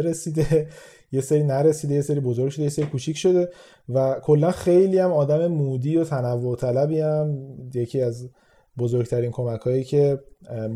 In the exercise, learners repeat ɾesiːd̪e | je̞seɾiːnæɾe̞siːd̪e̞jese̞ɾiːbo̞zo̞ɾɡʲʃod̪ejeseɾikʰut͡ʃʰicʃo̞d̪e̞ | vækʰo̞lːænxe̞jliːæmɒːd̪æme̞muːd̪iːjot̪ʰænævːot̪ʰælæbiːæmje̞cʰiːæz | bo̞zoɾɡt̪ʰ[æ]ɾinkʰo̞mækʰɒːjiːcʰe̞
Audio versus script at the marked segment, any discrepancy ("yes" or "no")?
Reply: no